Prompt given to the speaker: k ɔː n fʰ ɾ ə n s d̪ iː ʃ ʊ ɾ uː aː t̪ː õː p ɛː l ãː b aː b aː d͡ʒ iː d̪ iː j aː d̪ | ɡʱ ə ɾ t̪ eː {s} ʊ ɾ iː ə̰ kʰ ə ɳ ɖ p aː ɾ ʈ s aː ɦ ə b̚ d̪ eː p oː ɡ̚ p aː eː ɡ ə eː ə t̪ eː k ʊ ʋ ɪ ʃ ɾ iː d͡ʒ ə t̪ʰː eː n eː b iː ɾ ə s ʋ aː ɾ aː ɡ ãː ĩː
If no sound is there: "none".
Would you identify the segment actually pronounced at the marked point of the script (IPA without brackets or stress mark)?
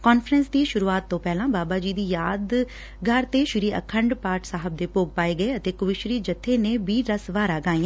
ʃ